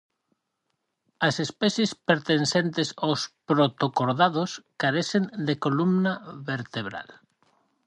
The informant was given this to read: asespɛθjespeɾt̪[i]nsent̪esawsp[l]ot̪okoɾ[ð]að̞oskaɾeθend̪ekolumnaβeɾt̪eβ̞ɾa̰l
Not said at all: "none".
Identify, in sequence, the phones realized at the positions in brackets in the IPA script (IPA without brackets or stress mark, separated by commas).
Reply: e, ɾ, ð